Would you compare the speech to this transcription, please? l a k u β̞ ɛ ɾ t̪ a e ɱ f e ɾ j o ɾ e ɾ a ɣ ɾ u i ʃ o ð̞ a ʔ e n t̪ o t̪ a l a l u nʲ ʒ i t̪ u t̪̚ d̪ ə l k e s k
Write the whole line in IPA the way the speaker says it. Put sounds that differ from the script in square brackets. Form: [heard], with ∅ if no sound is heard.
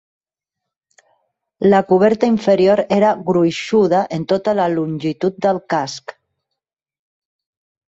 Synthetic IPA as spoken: l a k u β̞ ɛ ɾ t̪ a [i] ɱ f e ɾ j o ɾ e ɾ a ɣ ɾ u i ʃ [u] ð̞ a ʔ e n t̪ o t̪ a l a l u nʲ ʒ i t̪ u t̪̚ d̪ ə l k [a] s k